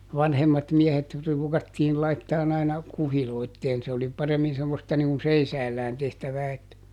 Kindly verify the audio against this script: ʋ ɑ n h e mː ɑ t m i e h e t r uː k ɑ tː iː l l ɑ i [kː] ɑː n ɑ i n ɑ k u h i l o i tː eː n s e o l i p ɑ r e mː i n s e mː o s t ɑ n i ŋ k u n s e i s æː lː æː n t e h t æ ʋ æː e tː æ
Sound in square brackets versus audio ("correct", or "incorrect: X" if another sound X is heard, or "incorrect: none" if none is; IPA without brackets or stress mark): incorrect: tː